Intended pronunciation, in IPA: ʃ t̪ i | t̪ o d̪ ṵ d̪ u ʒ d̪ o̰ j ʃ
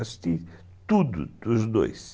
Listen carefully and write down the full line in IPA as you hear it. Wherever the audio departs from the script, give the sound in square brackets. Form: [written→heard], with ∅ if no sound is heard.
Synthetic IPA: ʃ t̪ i | t̪ [o→u] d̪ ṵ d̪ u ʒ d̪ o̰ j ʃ